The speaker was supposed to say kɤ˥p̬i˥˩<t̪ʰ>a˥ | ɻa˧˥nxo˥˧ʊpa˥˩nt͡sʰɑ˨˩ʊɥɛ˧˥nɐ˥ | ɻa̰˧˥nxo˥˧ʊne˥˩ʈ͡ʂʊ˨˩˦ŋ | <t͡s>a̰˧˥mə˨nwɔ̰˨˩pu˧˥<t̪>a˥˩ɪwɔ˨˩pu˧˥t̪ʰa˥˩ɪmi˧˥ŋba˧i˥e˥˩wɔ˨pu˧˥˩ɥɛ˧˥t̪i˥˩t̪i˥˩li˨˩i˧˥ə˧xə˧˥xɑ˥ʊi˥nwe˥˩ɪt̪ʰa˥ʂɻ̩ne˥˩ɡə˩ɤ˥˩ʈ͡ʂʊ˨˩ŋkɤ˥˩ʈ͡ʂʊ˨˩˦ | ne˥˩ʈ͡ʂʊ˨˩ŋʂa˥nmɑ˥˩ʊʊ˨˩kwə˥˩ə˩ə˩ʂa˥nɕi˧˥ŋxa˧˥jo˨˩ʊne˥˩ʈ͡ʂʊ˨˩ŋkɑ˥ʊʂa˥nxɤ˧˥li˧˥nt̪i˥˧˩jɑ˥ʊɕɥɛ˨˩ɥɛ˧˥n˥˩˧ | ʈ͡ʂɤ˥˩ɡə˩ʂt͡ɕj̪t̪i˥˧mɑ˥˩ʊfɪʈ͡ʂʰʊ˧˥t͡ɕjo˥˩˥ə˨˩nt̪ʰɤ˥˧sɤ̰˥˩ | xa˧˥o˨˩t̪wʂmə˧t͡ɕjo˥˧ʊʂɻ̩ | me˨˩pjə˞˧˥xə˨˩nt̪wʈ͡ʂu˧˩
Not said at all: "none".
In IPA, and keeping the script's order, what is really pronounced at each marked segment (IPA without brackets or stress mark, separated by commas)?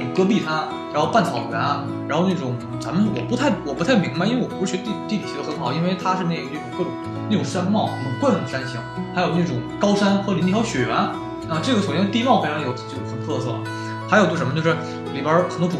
t̪ʰ, t͡s, t̪ʰ